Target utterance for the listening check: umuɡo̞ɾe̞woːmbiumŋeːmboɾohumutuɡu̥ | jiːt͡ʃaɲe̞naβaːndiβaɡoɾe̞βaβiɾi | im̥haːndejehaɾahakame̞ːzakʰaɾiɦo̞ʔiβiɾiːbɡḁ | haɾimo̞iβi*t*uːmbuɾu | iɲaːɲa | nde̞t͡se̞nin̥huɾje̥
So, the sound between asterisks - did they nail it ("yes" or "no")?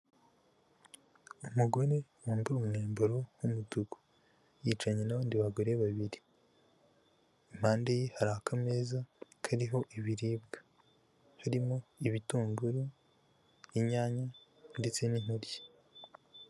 yes